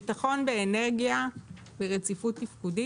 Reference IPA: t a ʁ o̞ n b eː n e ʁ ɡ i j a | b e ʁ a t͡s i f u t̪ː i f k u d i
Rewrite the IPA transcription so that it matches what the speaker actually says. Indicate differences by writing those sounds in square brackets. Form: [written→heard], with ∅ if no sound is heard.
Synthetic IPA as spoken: t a [ʁ→χ] o̞ n b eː n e ʁ ɡ i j a | b e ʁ [a→e] t͡s i f u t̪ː i f k u d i

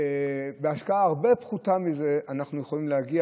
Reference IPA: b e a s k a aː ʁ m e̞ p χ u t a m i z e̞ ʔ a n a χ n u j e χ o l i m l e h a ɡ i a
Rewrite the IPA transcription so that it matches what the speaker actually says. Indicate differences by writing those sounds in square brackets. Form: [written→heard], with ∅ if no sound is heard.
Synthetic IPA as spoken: b e a [s→ʃ] k a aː ʁ [m→b] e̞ p χ u t a m i z e̞ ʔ a n a χ n u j e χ o l i m l e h a ɡ i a

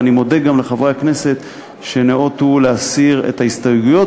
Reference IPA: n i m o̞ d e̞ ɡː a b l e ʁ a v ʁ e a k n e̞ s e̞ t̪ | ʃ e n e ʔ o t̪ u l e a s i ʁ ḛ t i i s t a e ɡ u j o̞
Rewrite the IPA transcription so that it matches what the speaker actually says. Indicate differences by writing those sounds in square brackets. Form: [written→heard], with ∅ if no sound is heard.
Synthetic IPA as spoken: n i m o̞ d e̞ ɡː a [b→m] l e [ʁ→χ] a v ʁ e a k n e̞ s e̞ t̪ | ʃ e n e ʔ o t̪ u l e a s i ʁ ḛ t [i→a] i s t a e ɡ u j o̞

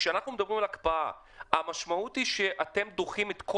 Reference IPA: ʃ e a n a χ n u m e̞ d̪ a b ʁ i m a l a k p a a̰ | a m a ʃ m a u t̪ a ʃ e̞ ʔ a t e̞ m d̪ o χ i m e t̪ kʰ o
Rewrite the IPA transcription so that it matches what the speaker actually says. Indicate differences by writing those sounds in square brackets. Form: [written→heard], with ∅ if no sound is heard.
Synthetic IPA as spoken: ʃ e a n a χ n u m e̞ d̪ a b ʁ i m a l a k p a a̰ | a m a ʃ m a u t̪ [a→i] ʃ e̞ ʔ a t e̞ m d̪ o χ i m e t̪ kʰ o

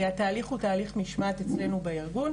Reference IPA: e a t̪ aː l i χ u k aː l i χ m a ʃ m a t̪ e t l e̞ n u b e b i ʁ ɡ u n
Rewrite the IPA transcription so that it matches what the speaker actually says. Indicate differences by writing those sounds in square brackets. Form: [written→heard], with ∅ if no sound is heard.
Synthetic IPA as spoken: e a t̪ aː l i χ u [k→t] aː l i χ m [a→i] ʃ m a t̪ e [t→t͡s] l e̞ n u b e [b→∅] i ʁ ɡ u n

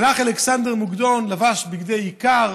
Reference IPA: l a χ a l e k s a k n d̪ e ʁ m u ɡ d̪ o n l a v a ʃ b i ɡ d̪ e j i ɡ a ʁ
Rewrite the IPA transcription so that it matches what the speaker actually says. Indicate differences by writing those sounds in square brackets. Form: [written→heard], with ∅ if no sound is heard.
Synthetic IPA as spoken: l a χ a l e k s a [k→∅] n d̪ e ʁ m u ɡ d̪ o n l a v a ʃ b i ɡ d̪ e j i [ɡ→k] a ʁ

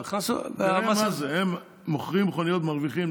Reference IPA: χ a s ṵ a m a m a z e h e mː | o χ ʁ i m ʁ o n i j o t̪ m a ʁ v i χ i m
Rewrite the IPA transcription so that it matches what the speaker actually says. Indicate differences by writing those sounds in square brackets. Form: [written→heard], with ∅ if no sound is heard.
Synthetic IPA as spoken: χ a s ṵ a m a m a z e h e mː | o χ ʁ i m [ʁ→χ] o n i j o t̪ m a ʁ v i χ i m

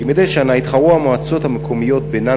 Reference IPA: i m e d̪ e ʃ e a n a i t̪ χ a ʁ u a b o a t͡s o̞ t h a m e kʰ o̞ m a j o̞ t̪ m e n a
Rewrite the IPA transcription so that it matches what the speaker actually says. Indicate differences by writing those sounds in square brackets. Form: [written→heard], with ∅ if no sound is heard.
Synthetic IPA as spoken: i m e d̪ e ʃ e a n a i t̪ χ a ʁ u a [b→m] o a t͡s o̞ t h a m e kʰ o̞ m [a→i] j o̞ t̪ [m→b] e n a

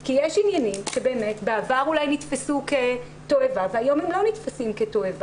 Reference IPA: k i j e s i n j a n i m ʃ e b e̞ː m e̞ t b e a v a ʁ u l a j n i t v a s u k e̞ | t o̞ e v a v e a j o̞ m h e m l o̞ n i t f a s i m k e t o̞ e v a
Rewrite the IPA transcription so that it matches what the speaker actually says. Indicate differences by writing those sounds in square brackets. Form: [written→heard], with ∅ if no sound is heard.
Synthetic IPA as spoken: k i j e [s→ʃ] i n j a n i m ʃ e b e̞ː m e̞ t b e a v a ʁ u l a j n i t [v→f] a s u k e̞ | t o̞ e v a v e a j o̞ m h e m l o̞ n i t f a s i m k e t o̞ e v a

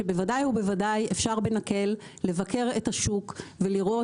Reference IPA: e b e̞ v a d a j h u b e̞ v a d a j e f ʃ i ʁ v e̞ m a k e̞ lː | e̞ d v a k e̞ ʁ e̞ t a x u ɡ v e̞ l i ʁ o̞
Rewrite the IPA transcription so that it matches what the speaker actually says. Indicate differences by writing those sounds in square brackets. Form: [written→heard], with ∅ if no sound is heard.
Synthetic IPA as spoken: e b e̞ v a d a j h u b e̞ v a d a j e f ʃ [i→a] ʁ [v→b] e̞ [m→n] a k e̞ lː | e̞ [d→∅] v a k e̞ ʁ e̞ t a [x→ʃ] u [ɡ→k] v e̞ l i ʁ o̞

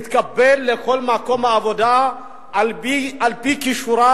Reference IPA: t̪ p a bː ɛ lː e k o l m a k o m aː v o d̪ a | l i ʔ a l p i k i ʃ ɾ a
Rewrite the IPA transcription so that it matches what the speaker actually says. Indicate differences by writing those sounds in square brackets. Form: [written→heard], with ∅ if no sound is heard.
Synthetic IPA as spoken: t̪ [p→k] a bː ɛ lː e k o l m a k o m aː v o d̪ a | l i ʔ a l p i k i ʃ ɾ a

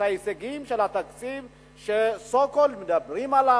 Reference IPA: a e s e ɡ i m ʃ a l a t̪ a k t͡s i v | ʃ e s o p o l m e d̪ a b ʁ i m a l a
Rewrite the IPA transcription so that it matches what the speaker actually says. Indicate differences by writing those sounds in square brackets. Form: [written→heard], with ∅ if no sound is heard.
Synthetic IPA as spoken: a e s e ɡ i m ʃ [a→e] l a t̪ a k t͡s i v | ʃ e s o [p→k] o l m e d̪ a b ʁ i m a l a

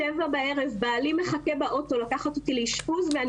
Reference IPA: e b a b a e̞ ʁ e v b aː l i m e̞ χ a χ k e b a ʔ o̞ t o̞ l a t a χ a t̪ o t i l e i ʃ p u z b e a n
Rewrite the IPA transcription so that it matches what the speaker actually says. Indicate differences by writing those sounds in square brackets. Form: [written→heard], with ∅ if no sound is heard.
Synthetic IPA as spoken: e [b→v] a b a e̞ ʁ e v b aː l i m e̞ χ a [χ→∅] k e b a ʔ o̞ t o̞ l a [t→k] a χ a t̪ o t i l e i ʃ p u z [b→v] e a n

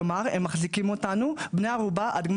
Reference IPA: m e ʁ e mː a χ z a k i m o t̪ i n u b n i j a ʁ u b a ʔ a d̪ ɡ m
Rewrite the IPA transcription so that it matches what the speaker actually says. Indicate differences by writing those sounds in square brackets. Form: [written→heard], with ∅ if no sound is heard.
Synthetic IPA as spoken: m [e→a] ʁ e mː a χ z [a→i] k i m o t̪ [i→a] n u b n [i→e] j a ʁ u b a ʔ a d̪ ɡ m

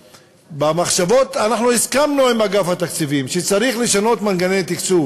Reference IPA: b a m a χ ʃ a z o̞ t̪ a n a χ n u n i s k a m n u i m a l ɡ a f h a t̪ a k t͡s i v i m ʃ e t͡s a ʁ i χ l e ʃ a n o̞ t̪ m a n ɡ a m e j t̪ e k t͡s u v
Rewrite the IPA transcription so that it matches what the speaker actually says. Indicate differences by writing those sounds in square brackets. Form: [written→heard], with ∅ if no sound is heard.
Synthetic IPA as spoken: b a m a χ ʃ a [z→v] o̞ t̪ a n a χ n u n i s k a m n u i m a [l→∅] ɡ a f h a t̪ a k t͡s i v i m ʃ e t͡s a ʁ i χ l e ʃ a n o̞ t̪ m a n ɡ a [m→n] e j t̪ [e→i] k t͡s u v

